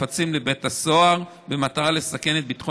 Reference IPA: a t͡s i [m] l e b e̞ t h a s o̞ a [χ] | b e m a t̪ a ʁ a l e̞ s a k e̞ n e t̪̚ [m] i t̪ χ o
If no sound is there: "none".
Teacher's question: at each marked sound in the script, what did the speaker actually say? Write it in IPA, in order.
m, ʁ, b

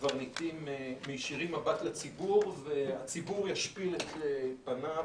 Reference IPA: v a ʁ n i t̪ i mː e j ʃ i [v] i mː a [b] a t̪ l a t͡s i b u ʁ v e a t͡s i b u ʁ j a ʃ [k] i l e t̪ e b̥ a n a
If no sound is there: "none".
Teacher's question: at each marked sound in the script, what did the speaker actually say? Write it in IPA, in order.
ʁ, b, p

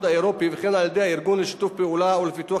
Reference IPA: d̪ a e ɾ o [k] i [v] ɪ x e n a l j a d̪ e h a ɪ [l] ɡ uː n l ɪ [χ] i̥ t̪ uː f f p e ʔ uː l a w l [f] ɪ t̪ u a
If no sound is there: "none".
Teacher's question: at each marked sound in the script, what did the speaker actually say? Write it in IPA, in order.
p, v, ɾ, ʃ, f

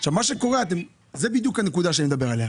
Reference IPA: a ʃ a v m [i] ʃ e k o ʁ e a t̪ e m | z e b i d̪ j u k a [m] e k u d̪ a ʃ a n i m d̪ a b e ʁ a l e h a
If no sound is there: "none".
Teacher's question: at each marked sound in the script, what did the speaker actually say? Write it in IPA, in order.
a, n

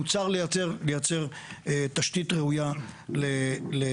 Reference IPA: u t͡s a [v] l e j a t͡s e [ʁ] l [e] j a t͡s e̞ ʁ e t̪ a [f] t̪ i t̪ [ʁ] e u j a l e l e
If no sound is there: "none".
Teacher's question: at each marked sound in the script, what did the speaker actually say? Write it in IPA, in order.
ʁ, ʁ, e, ʃ, ʁ

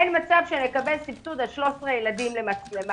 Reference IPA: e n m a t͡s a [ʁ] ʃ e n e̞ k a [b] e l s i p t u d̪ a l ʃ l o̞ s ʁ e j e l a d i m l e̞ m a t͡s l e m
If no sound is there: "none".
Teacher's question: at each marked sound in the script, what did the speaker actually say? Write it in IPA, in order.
v, b

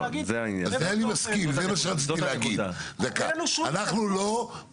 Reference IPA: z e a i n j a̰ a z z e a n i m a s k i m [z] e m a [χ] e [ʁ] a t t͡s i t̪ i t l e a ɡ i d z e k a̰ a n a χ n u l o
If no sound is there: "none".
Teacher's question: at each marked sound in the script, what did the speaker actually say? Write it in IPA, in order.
z, ʃ, ʁ

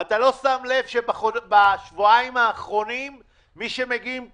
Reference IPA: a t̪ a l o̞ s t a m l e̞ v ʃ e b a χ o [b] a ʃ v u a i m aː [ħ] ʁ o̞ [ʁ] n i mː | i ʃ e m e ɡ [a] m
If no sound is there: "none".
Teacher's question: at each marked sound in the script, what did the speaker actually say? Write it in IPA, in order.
b, χ, none, i

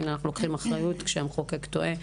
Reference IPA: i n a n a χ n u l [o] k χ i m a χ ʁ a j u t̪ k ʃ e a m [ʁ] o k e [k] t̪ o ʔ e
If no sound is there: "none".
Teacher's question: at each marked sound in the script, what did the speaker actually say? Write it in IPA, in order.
o, χ, k

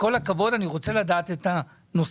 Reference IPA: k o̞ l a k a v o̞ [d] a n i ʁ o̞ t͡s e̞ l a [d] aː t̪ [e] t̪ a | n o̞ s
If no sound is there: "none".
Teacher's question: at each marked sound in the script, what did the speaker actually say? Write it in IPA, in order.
d, d, e

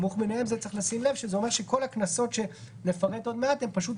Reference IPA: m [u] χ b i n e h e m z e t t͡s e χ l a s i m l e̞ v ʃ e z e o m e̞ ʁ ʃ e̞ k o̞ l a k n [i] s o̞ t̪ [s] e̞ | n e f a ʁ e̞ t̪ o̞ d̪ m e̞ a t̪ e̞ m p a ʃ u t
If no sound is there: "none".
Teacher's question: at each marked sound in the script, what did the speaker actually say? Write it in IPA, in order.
u, a, ʃ

